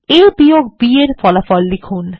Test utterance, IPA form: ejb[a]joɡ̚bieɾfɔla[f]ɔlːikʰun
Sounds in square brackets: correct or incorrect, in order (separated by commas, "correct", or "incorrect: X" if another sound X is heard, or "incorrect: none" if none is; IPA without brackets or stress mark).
incorrect: i, correct